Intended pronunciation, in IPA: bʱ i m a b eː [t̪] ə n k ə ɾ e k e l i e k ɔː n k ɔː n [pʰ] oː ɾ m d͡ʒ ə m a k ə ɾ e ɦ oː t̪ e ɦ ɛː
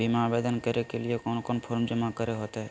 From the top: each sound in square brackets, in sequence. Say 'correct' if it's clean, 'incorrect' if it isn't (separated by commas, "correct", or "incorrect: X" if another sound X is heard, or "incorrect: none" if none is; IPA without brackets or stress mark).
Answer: incorrect: d̪, correct